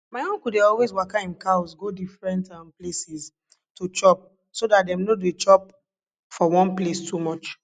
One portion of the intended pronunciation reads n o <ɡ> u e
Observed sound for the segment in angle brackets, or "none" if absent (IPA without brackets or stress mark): d